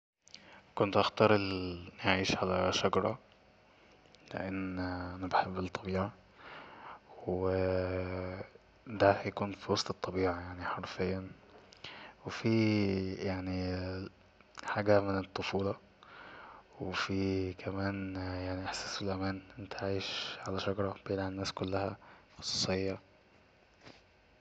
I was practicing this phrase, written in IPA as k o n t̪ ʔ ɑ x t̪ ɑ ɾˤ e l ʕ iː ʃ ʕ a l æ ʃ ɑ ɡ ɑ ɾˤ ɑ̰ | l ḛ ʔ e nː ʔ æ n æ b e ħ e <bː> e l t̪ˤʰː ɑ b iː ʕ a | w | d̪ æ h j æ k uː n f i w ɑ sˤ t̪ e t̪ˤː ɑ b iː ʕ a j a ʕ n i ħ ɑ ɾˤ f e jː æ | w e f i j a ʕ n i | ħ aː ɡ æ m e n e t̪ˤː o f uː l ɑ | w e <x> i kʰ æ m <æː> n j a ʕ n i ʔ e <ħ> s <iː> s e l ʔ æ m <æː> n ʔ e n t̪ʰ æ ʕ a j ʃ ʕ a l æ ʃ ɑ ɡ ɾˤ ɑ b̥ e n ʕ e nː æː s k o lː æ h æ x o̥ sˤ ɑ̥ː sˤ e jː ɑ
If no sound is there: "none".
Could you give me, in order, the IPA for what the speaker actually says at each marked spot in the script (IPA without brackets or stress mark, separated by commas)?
bː, f, æː, ħ, æː, æː